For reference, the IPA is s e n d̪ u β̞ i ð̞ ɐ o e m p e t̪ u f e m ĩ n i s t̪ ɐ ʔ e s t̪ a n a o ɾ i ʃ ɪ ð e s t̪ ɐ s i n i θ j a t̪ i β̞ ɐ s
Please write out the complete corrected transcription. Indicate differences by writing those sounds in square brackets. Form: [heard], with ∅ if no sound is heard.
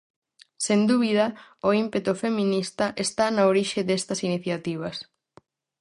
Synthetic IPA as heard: s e n d̪ u β̞ i ð̞ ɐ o [i] m p e t̪ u f e m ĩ n i s t̪ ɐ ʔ e s t̪ a n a o ɾ i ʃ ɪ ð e s t̪ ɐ s i n i θ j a t̪ i β̞ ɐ s